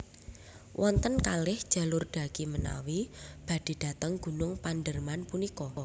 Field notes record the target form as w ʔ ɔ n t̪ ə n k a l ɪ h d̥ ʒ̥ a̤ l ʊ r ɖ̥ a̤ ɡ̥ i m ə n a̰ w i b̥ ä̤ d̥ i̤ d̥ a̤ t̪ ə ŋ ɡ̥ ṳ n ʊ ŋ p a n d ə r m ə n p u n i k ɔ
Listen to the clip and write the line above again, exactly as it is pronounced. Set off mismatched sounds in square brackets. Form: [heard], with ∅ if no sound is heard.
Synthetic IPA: w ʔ ɔ n t̪ ə n k a l ɪ h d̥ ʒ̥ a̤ l ʊ r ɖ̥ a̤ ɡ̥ i m ə n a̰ w i b̥ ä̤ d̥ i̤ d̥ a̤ t̪ ə ŋ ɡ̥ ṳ n ʊ ŋ p a n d ə r m [a] n p u n i k ɔ